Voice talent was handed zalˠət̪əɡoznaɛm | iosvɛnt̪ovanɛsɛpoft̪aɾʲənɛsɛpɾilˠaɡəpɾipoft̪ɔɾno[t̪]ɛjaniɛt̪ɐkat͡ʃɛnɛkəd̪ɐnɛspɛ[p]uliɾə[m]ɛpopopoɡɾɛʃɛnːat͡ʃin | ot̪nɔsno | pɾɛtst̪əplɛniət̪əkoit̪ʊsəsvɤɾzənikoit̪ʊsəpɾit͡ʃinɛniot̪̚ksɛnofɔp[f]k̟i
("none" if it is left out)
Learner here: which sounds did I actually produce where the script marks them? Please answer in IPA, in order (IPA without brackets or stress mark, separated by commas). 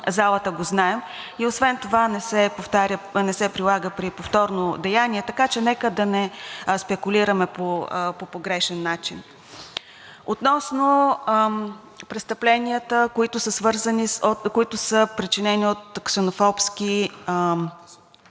d̪, k, m, s